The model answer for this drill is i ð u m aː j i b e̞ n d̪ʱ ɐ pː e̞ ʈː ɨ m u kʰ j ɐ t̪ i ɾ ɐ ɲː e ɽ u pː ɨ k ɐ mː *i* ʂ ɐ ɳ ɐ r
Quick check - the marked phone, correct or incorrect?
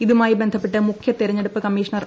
incorrect